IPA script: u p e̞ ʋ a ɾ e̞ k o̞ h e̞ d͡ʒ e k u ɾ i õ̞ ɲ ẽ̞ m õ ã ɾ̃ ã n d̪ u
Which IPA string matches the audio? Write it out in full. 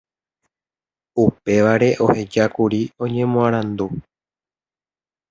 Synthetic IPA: u p e̞ ʋ a ɾ e̞ ʔ o̞ h e̞ d͡ʒ a k u ɾ i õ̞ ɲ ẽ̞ m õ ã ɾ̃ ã n d̪ u